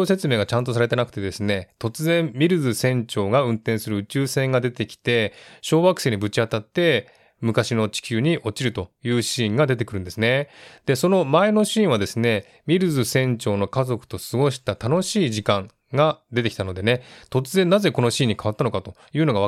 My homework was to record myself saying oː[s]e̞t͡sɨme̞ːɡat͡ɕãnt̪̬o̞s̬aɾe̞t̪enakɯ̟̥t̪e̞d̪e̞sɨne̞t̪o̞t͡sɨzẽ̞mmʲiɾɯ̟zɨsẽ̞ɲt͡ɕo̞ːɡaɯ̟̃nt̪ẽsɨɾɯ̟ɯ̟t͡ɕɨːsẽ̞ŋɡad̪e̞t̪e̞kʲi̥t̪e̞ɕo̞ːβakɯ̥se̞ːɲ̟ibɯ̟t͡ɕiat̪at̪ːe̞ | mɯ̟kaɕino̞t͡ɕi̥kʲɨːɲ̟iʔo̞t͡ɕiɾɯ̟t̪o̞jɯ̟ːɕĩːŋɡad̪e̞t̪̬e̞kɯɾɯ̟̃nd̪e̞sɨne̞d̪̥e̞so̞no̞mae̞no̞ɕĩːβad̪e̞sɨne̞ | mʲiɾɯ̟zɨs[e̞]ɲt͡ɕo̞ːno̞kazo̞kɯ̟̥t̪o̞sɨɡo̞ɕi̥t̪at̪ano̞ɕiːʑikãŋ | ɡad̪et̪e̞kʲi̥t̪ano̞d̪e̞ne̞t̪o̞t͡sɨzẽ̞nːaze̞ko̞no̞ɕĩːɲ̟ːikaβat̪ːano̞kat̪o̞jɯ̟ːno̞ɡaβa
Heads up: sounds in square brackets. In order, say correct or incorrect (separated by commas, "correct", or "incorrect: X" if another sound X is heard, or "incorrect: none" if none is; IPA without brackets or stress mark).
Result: correct, incorrect: ẽ̞